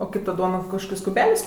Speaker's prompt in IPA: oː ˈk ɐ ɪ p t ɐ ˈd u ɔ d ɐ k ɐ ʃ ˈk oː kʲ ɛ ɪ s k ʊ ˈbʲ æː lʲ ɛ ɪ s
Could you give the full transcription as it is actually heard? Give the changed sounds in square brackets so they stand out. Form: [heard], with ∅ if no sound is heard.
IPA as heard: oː ˈk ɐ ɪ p t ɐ ˈd u ɔ [n] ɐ k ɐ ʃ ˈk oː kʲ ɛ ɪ s k ʊ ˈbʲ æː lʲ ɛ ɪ s